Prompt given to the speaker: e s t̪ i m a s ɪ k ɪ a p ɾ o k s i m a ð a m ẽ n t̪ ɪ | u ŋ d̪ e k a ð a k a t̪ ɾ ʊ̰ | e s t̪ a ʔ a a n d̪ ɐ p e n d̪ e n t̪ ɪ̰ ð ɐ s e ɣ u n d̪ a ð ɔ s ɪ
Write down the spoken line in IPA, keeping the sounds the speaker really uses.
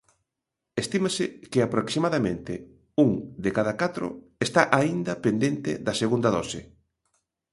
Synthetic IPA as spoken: e s t̪ i m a s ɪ k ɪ a p ɾ o k s i m a ð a m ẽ n t̪ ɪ | u ŋ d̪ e k a ð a k a t̪ ɾ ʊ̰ | e s t̪ a ʔ a i n d̪ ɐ p e n d̪ e n t̪ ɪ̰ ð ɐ s e ɣ u n d̪ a ð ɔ s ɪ